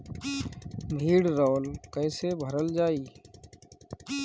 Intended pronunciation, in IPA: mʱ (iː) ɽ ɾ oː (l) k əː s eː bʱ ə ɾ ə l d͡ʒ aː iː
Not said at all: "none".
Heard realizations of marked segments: iː, l

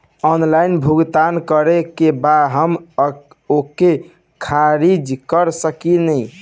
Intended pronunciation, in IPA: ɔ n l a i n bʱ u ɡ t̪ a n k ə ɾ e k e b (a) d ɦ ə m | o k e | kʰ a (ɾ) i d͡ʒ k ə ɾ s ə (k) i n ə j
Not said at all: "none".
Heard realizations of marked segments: a, ɾ, k

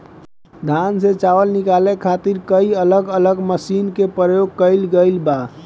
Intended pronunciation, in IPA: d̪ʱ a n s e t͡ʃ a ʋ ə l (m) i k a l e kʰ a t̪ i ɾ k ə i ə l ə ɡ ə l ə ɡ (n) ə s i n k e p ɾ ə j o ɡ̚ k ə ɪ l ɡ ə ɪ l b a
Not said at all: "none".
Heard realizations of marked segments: n, m

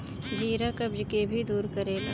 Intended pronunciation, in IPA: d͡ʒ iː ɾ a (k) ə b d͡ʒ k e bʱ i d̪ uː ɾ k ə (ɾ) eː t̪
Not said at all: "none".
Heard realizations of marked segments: k, ɾ

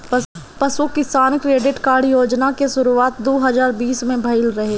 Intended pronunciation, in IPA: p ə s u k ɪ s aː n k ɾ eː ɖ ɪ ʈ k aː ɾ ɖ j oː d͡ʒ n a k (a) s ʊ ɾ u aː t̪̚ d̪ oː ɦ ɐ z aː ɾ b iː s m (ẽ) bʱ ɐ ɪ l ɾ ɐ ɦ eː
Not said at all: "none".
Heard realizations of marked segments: e, ẽ

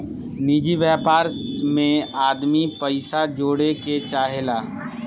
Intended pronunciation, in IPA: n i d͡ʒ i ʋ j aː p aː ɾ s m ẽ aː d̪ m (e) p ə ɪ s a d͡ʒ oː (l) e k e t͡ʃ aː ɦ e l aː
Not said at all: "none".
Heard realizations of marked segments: i, ɽ

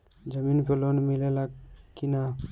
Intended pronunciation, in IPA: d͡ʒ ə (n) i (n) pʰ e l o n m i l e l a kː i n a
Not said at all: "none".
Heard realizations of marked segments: m, n

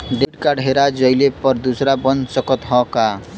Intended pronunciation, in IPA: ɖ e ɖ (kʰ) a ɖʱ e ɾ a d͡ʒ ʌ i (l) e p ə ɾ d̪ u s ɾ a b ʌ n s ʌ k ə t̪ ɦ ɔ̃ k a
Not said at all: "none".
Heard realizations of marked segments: k, l

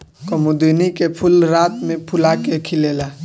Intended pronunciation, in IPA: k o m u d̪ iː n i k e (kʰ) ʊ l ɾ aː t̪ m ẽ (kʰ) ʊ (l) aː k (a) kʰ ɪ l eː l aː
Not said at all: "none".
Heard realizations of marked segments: pʰ, pʰ, l, e

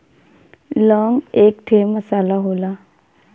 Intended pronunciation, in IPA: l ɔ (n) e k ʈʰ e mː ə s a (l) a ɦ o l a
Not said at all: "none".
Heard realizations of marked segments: ŋ, l

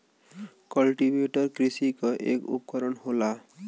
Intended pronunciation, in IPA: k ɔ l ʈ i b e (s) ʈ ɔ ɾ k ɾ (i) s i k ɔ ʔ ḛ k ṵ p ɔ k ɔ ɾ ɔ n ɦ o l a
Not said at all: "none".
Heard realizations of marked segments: none, i

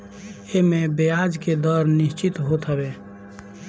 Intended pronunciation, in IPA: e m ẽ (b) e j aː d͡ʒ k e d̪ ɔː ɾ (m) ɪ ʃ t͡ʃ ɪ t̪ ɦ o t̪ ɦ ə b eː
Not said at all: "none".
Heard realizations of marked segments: b, n

